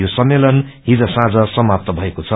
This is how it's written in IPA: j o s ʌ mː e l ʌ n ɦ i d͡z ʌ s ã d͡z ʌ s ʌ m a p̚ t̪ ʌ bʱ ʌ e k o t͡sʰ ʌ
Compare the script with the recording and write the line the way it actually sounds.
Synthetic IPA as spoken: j o s ʌ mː e l ʌ n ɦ i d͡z ʌ s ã d͡z ʌ s ʌ m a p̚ t̪ ʌ bʱ ʌ e k o t͡sʰ ʌ